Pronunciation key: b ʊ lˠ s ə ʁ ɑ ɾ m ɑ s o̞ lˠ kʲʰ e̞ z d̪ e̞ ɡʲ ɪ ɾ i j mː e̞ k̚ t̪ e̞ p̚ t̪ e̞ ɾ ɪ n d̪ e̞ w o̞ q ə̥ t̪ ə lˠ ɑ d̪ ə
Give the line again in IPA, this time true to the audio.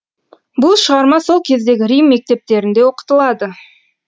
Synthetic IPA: b ʊ lˠ ʃ ə ʁ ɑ ɾ m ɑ s o̞ lˠ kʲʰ e̞ z d̪ e̞ ɡʲ ɪ ɾ i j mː e̞ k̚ t̪ e̞ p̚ t̪ e̞ ɾ ɪ n d̪ e̞ w o̞ q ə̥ t̪ ə lˠ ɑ d̪ ə

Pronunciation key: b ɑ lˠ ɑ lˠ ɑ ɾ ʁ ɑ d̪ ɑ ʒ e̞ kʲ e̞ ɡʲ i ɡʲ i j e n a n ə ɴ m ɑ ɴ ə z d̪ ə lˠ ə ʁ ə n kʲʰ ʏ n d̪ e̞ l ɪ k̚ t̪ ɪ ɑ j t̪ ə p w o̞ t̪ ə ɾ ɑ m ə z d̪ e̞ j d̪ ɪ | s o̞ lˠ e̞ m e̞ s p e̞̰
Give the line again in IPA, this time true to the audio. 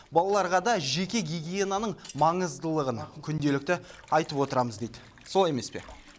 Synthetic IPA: b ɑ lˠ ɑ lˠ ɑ ɾ ʁ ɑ d̪ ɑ ʒ e̞ kʲ e̞ ɡʲ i ɡʲ i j e n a n ə ɴ m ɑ ɴ ə z d̪ ə lˠ ə ʁ ə n kʲʰ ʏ n d̪ e̞ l ɪ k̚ t̪ ɪ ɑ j t̪ ə p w o̞ t̪ ə ɾ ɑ m ə z d̪ e̞ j d̪ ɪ | s o̞ lˠ e̞ m e̞ s p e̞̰

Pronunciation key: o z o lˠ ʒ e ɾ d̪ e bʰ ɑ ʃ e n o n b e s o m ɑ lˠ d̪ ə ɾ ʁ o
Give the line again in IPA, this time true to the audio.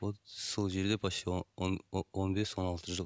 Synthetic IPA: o s o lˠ ʒ e ɾ d̪ e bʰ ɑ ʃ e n o n b e s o n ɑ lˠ t̪ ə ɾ ʒ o

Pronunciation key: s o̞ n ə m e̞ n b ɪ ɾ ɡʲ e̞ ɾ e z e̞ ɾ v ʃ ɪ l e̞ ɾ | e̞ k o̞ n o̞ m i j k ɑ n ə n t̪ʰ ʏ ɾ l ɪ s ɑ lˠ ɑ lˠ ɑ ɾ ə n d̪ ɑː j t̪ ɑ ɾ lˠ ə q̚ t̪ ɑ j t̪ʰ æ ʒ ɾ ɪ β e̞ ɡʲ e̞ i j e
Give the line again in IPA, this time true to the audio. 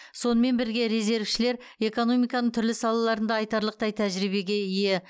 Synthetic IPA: s o̞ n ə m e̞ n b ɪ ɾ ɡʲ e̞ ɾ e z e̞ ɾ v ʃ ɪ l e̞ ɾ | e̞ k o̞ n o̞ m i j k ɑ n ə ɴ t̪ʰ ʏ ɾ l ɪ s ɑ lˠ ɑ lˠ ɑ ɾ ə n d̪ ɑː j t̪ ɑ ɾ lˠ ə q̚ t̪ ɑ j t̪ʰ æ ʒ ɾ i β e̞ ɡʲ e̞ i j e

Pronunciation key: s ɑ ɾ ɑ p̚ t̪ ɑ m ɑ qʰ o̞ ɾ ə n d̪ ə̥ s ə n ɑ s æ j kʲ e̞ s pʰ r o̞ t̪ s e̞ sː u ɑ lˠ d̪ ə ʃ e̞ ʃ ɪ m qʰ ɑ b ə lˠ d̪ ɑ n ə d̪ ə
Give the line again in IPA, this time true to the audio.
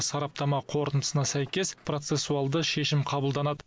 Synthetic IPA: s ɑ ɾ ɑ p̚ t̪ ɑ m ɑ qʰ o̞ ɾ ə n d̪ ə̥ s ə n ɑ s æ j kʲ e̞ s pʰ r o̞ t̪ s e̞ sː u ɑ lˠ d̪ ə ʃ e̞ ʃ ɪ m qʰ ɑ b ə lˠ d̪ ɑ n ɑ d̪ ə

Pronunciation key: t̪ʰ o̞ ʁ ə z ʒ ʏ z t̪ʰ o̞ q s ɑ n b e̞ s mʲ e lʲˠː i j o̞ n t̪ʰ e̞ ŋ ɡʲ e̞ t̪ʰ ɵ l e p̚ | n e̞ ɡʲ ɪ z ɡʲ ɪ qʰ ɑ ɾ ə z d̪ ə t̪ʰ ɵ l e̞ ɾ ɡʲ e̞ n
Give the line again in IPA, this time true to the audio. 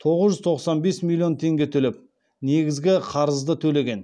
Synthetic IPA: t̪ʰ o̞ ʁ ə z ʒ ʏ z t̪ʰ o̞ q s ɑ n b e̞ s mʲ i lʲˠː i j o̞ n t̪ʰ e̞ ŋ ɡʲ e̞ t̪ʰ ɵ l e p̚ | n e̞ ɡʲ ɪ z ɡʲ ɪ qʰ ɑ ɾ ə z d̪ ə t̪ʰ ɵ l e̞ ɡʲ e̞ n

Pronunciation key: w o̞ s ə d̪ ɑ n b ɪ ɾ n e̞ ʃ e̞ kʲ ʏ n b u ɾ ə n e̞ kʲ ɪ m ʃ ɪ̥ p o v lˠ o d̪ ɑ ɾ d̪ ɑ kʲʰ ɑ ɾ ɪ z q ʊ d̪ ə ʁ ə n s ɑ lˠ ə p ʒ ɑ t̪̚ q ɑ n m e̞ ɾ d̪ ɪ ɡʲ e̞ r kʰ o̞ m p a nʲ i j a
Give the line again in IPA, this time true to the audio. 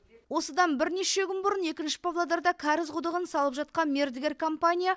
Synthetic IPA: w o̞ s ə d̪ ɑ n b ɪ ɾ n e̞ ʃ e̞ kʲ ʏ n b ʊ ɾ ə n e̞ kʲ ɪ n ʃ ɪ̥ p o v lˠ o d̪ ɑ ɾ d̪ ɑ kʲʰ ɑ ɾ ɪ z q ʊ d̪ ə ʁ ə n s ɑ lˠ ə p ʒ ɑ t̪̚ q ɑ n m e̞ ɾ d̪ ɪ ɡʲ e̞ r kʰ o̞ m p a nʲ i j a

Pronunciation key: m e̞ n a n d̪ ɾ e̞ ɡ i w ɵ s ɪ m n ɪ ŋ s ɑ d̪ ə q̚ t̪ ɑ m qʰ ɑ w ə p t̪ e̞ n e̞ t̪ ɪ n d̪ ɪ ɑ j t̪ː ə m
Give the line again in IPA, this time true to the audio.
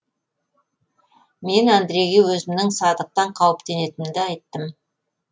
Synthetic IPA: m e̞ n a n d̪ ɾ e̞ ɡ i w ɵ z ɪ m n ɪ ŋ s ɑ d̪ ə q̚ t̪ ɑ ɴ qʰ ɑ w ə p t̪ e̞ n e̞ t̪ ɪ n d̪ ɪ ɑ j t̪ː ə m

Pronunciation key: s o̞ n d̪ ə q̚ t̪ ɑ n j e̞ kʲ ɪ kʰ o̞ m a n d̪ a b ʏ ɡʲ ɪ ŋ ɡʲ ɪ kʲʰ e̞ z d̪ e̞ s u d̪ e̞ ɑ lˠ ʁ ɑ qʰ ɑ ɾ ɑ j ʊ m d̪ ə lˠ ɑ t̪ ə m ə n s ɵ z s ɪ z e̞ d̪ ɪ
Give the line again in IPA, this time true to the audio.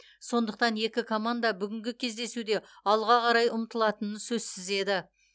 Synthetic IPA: s o̞ n d̪ ə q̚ t̪ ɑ n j e̞ kʲ ɪ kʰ o̞ m a n d̪ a b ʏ ɡʲ ɪ ŋ ɡʲ ɪ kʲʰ e̞ z d̪ e̞ s u d̪ e̞ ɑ lˠ ʁ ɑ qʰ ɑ ɾ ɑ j ʊ m t̪ ə lˠ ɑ t̪ ə n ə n s ɵ z s ɪ z e̞ d̪ ɪ

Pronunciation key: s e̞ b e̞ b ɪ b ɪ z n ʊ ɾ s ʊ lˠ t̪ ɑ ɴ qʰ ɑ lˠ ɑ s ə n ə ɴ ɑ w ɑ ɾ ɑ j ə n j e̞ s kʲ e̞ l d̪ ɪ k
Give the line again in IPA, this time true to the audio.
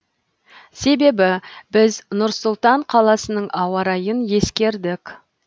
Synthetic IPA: s e̞ b e̞ b ɪ b ɪ z n ʊ ɾ s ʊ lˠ t̪ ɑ ɴ qʰ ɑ lˠ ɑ s ə n ə ɴ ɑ w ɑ ɾ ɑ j ə n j e̞ s kʲ e̞ ɾ d̪ ɪ k

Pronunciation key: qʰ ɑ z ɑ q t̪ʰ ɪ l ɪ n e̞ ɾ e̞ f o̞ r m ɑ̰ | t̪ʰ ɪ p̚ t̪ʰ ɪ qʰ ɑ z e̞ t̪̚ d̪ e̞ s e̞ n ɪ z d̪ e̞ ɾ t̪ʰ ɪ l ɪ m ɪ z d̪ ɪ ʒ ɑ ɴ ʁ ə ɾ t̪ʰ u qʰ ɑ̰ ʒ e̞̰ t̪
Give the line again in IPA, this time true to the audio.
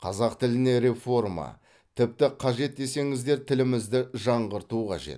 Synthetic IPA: qʰ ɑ z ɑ q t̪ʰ ɪ l ɪ n e̞ ɾ e̞ f o̞ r m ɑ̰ | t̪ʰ ɪ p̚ t̪ ɪ qʰ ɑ ʒ e̞ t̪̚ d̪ e̞ s e̞ ŋ ɪ z d̪ e̞ ɾ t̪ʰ ɪ l ɪ m ɪ z d̪ ɪ ʒ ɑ ɴ ʁ ə ɾ t̪ u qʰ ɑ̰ ʒ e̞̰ t̪

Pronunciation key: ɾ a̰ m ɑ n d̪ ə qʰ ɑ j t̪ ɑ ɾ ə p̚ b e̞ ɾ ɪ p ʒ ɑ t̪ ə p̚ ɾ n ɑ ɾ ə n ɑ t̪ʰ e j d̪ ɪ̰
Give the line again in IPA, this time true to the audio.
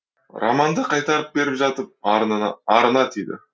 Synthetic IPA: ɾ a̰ m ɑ n d̪ ə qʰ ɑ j t̪ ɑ ɾ ə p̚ b e̞ ɾ ɪ p ʒ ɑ t̪ ə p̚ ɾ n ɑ ɾ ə n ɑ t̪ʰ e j d̪ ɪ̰

